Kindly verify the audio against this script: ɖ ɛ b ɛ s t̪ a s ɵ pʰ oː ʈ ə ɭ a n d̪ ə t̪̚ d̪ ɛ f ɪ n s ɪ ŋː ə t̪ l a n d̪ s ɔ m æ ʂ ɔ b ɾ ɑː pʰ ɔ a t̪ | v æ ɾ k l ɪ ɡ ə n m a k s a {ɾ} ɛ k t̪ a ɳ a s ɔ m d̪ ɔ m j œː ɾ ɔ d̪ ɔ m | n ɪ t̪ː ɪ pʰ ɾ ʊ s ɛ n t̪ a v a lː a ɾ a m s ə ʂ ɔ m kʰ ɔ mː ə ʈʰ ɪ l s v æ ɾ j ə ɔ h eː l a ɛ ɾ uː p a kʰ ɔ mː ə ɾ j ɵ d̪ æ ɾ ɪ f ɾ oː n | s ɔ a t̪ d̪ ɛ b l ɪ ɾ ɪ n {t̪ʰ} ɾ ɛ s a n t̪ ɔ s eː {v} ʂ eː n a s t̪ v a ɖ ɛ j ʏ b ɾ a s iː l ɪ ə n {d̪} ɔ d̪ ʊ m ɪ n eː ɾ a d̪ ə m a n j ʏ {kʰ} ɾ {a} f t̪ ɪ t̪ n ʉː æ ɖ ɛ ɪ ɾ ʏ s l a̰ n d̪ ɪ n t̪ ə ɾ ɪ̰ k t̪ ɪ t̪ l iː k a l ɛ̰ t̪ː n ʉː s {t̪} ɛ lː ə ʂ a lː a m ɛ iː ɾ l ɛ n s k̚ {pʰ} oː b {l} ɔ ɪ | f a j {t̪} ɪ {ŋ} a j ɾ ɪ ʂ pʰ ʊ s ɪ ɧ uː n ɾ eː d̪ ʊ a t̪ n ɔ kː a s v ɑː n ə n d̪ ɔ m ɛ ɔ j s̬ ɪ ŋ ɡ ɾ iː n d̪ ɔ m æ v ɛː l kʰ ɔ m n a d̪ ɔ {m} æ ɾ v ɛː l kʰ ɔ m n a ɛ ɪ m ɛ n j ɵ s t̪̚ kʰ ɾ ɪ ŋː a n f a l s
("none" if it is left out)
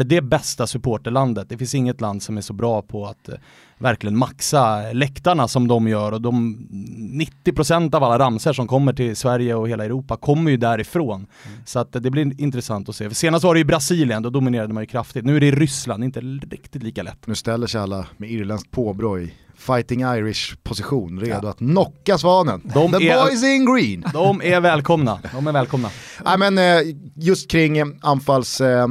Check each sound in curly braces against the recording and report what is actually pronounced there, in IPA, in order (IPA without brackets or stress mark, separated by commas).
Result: l, t̪, f, d̪, kʰ, a, t̪, pʰ, ɾ, t̪, ŋ, m